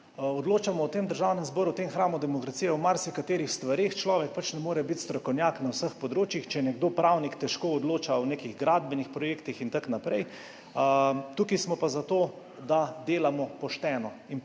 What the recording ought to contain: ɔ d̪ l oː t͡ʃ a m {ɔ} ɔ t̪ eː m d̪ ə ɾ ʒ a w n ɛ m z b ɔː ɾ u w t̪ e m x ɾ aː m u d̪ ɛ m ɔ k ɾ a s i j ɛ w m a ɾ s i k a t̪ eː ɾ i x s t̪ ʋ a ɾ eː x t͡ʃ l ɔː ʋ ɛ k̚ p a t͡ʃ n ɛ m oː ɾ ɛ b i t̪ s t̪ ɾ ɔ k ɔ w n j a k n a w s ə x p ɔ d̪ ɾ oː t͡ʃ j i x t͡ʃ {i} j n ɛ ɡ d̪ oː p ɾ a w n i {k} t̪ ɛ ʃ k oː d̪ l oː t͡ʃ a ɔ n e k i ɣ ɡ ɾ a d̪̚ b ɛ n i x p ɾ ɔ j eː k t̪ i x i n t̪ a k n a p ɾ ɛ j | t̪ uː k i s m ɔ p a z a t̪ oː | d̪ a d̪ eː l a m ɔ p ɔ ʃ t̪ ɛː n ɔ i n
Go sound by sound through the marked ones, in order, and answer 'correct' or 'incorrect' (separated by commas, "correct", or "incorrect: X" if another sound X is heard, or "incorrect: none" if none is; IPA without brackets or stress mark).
correct, incorrect: ɛ, correct